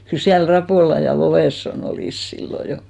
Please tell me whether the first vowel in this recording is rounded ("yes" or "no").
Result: yes